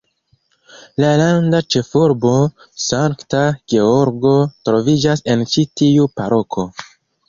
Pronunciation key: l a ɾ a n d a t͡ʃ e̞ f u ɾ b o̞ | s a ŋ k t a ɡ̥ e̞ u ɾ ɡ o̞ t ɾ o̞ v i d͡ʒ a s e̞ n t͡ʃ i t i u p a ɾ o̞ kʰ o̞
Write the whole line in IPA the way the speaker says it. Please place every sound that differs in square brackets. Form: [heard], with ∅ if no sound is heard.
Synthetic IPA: l a [l] a n d a t͡ʃ e̞ f u ɾ b o̞ | s a ŋ k t a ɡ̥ e̞ [o] ɾ ɡ o̞ t ɾ o̞ v i d͡ʒ a s e̞ n t͡ʃ i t i u p a ɾ o̞ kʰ o̞